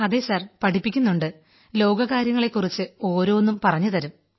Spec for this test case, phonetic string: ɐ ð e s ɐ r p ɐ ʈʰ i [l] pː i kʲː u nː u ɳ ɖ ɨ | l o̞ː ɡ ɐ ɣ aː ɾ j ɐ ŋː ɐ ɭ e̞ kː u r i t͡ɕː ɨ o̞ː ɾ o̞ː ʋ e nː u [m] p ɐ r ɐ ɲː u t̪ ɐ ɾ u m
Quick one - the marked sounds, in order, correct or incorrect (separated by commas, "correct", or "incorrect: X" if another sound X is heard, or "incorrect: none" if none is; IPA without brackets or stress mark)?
incorrect: none, correct